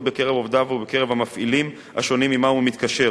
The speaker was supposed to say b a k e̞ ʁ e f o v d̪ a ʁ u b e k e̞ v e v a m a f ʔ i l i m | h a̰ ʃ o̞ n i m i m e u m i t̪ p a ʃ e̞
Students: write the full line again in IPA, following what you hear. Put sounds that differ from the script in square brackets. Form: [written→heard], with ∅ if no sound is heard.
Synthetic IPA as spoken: b [a→e] k e̞ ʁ e [f→v] o v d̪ a [ʁ→v] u b e k e̞ [v→ʁ] e v a m a f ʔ i l i m | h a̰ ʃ o̞ n i m i m [e→a] u m i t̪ [p→k] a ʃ e̞